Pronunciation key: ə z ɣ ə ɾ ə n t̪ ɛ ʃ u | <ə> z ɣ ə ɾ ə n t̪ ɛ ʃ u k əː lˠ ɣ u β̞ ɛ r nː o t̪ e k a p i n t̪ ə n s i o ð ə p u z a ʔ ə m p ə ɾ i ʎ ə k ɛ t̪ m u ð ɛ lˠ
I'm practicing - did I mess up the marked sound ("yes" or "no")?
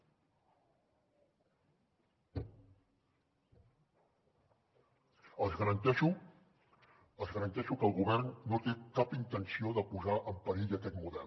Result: no